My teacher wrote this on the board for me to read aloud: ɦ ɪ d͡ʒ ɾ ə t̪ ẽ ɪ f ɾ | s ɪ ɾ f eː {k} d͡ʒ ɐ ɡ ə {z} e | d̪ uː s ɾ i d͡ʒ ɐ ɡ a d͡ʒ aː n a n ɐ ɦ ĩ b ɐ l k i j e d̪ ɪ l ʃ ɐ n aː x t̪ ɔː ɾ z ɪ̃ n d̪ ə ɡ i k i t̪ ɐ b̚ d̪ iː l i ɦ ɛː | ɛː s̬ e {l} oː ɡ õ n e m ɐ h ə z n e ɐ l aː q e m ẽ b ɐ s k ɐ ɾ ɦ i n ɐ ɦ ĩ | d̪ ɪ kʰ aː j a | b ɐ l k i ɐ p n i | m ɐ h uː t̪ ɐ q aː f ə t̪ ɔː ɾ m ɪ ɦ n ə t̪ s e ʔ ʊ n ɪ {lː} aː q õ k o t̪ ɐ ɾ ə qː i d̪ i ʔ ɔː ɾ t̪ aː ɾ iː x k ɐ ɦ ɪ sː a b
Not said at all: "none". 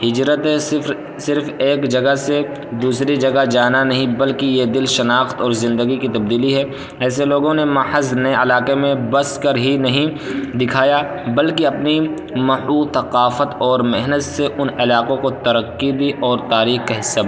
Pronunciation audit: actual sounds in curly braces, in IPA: k, s, l, l

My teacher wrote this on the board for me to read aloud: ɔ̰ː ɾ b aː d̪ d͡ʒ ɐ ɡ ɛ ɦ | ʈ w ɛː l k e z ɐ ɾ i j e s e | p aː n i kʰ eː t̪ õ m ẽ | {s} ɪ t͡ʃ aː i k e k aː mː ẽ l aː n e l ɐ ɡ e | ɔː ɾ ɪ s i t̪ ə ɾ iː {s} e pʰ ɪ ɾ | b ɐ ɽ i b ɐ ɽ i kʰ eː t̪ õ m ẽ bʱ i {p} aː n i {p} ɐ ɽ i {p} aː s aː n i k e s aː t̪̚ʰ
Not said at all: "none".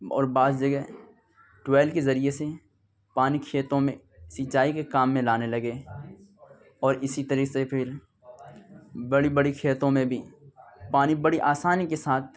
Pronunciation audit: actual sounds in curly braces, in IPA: s, s, p, b, ʔ

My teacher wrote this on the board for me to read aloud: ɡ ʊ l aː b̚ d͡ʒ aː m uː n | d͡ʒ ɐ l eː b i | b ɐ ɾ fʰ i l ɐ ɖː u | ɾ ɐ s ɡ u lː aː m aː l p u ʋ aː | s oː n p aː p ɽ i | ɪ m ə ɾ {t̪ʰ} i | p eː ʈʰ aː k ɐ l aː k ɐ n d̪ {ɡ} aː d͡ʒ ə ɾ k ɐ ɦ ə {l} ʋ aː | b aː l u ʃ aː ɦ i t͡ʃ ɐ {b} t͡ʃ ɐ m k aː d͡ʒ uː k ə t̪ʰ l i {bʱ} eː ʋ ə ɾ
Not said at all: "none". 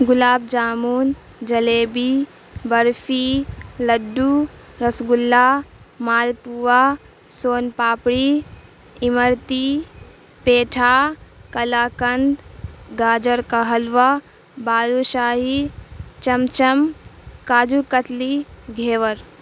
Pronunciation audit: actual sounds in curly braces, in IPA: t̪, ɡ, l, m, ɡʱ

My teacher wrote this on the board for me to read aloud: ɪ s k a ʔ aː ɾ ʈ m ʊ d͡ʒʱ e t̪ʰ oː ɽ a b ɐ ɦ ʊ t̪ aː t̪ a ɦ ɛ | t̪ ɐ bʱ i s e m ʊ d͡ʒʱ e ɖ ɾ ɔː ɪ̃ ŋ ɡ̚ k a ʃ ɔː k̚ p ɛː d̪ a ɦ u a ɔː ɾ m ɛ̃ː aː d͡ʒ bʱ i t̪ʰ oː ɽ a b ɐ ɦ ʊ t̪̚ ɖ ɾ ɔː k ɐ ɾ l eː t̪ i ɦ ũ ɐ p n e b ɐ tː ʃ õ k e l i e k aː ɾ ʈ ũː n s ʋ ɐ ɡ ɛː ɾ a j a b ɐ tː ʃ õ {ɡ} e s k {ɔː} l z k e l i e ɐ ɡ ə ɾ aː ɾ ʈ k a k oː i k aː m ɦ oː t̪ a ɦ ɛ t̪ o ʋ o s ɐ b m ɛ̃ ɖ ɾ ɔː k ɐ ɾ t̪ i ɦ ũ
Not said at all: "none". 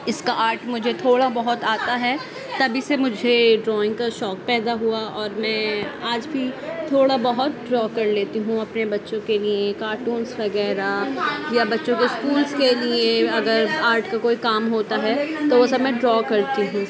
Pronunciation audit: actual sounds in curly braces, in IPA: k, uː

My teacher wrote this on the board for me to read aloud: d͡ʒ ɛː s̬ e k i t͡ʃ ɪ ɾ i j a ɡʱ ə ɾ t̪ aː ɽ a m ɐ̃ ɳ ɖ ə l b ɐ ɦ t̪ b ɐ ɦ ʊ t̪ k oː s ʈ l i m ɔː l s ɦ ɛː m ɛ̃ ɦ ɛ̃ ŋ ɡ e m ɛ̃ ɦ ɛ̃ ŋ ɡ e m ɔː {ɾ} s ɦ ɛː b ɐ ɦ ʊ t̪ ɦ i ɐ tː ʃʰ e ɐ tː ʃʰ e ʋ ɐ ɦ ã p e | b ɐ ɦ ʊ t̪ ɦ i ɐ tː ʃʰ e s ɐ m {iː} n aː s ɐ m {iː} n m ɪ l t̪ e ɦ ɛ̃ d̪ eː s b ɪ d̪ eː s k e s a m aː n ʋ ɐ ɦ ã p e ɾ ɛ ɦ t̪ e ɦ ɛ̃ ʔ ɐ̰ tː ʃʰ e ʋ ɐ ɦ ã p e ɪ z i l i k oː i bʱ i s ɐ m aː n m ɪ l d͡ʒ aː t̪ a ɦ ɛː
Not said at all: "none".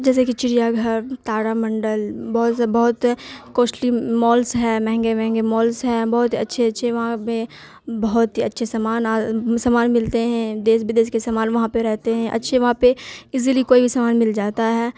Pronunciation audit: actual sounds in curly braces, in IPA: l, aː, aː

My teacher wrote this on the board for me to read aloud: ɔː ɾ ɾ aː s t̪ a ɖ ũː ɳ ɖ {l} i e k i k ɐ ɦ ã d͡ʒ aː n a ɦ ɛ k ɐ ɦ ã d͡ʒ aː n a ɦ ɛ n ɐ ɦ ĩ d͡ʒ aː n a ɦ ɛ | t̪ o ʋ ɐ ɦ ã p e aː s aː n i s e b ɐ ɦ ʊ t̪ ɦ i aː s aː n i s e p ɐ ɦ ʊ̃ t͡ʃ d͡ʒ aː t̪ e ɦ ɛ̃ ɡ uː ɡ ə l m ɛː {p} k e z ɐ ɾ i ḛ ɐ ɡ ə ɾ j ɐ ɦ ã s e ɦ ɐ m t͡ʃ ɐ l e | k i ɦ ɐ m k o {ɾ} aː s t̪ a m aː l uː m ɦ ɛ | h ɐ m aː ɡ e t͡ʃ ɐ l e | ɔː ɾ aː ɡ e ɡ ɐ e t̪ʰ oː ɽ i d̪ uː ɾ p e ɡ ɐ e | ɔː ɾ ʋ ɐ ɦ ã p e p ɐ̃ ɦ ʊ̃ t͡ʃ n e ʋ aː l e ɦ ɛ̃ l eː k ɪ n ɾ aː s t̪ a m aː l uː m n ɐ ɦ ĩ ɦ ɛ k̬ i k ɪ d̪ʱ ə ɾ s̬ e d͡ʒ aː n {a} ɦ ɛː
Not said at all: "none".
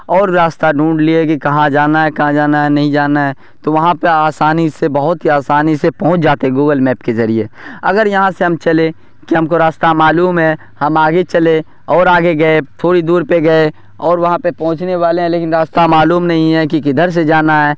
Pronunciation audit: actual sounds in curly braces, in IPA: l, p, ɾ, a

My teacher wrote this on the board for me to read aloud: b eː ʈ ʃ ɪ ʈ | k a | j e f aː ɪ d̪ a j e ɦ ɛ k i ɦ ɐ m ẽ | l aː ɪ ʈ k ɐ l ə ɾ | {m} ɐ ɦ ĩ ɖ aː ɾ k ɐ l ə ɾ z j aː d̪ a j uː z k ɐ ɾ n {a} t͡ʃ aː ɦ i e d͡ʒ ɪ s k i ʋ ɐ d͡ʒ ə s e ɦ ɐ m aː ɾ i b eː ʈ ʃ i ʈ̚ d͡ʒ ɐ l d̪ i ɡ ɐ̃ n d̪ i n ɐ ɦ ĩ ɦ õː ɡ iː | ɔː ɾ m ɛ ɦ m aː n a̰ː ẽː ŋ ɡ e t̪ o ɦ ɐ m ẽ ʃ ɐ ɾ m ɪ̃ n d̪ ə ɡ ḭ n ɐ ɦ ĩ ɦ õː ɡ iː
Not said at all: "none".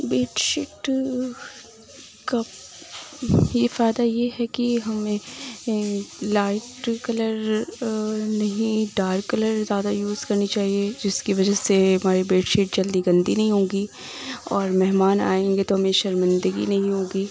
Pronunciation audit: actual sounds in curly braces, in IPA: n, i

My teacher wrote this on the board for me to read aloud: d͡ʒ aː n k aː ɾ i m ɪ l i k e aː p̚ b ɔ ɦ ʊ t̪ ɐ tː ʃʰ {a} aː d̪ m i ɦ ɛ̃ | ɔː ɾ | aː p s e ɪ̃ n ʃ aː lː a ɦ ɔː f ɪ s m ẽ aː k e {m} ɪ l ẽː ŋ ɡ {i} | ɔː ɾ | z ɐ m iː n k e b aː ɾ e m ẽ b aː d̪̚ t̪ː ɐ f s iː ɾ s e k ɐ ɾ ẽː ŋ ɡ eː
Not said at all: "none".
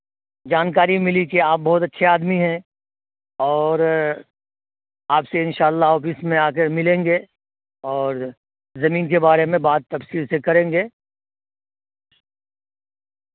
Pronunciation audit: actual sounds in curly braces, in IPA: e, m, e

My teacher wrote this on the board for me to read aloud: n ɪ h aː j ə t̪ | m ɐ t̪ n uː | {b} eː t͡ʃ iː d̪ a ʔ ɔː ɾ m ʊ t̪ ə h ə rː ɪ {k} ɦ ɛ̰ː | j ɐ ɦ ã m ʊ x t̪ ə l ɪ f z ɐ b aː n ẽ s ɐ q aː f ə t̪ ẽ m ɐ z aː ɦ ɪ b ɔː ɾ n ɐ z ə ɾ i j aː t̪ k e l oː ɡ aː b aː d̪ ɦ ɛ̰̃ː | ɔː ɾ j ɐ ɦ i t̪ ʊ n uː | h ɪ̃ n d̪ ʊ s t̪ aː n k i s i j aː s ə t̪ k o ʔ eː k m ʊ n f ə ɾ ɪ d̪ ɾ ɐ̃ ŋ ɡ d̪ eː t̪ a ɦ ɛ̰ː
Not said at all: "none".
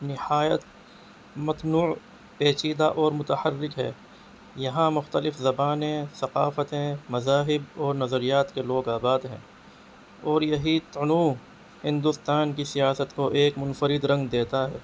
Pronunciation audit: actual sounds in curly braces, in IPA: p, k

